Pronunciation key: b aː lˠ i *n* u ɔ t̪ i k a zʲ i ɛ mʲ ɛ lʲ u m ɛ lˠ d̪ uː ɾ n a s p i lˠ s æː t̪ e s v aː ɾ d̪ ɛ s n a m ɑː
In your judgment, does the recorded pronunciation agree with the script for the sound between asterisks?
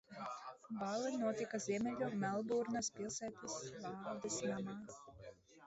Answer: yes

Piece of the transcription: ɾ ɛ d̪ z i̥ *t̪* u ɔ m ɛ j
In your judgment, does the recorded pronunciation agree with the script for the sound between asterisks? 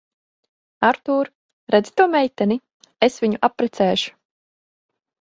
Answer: yes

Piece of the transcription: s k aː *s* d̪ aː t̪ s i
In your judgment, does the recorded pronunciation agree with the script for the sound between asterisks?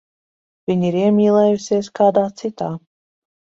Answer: no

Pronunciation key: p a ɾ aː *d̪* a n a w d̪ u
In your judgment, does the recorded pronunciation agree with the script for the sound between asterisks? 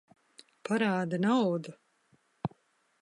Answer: yes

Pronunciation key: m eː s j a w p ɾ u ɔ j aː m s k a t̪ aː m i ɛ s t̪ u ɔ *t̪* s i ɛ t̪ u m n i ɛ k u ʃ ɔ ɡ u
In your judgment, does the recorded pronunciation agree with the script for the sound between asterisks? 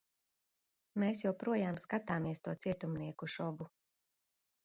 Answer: yes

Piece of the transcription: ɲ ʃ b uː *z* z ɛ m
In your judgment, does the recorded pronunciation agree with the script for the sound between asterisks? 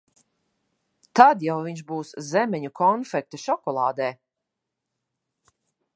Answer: no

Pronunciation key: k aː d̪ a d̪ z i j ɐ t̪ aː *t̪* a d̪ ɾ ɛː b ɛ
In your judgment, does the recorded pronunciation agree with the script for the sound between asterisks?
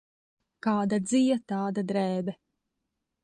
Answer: no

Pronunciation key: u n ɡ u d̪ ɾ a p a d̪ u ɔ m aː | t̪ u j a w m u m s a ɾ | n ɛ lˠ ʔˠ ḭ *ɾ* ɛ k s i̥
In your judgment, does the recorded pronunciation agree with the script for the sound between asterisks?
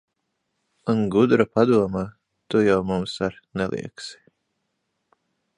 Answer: no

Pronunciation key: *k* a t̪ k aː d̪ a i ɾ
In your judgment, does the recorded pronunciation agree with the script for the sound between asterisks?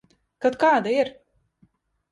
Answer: yes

